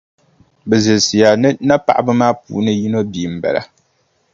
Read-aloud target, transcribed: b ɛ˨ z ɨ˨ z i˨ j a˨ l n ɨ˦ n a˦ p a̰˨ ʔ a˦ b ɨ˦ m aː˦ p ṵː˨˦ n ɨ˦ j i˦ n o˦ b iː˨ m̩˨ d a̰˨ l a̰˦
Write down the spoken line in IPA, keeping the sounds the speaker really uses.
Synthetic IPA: b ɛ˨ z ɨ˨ s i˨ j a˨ n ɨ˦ n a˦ p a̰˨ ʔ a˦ b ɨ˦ m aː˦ p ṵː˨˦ n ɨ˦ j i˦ n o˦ b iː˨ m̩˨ b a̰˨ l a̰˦

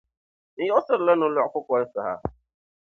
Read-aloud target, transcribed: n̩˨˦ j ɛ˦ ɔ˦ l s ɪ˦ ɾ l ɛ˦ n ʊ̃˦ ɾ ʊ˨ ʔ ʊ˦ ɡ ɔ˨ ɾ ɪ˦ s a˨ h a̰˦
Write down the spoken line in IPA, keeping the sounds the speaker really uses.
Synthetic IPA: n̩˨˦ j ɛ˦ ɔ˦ s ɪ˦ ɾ l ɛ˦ n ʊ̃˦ l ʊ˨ k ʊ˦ k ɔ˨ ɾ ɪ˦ s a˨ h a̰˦

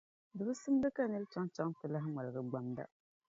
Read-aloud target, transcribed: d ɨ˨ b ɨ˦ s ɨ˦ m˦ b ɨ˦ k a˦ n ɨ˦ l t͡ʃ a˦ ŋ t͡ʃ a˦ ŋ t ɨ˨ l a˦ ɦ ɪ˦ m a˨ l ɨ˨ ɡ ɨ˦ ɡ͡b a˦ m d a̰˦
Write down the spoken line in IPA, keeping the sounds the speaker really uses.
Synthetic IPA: d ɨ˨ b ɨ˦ s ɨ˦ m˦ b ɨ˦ k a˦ n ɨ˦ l t͡ʃ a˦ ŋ t͡ʃ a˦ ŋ t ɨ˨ l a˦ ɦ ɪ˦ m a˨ l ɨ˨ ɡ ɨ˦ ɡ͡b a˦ m d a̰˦

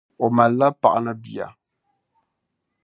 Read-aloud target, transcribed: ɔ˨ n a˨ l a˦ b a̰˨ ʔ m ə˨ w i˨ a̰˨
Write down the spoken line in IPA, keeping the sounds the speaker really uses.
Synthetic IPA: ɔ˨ m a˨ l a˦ p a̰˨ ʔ n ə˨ b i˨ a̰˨

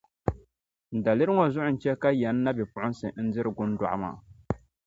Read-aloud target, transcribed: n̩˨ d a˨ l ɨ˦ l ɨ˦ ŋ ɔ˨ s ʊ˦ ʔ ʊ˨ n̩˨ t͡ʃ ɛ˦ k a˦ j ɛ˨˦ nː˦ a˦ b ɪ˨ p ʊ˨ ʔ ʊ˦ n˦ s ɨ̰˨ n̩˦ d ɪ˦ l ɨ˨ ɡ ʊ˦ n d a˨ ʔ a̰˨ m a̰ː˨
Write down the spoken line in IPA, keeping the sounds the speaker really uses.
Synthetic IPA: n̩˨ d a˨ l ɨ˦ ɾ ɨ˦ ŋ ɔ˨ z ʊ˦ ʔ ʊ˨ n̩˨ t͡ʃ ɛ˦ k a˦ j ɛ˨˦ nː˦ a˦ b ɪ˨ p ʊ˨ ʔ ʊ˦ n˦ s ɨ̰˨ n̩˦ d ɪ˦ ɾ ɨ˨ ɡ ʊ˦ n d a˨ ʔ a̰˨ m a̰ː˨

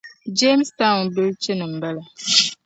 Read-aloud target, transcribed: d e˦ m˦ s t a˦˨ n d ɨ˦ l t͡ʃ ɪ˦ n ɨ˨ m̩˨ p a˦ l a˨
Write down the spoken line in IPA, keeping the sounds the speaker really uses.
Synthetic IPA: d͡ʒ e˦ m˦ s t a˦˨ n b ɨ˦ l t͡ʃ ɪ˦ n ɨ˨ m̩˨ b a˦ l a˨

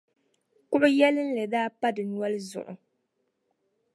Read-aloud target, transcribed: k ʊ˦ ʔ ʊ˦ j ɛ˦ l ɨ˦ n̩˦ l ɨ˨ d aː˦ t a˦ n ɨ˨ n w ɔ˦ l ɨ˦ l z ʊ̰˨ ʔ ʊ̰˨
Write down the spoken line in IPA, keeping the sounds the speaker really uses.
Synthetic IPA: k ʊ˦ ʔ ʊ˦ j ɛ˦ l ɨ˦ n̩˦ l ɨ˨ d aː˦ p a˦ d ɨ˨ n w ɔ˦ l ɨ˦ z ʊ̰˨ ʔ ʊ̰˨

